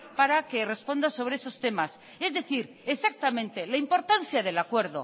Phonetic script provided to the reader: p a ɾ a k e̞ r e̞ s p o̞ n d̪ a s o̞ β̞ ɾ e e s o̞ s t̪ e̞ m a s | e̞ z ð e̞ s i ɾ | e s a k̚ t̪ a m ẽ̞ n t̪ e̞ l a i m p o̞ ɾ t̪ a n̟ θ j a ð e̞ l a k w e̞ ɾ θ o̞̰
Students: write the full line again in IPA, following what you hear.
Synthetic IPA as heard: p a ɾ a k e̞ r e̞ s p o̞ n d̪ a s o̞ β̞ ɾ e e s o̞ s t̪ e̞ m a s | e̞ z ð e̞ θ i ɾ | e s a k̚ t̪ a m ẽ̞ n t̪ e̞ l a i m p o̞ ɾ t̪ a n̟ θ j a ð e̞ l a k w e̞ ɾ ð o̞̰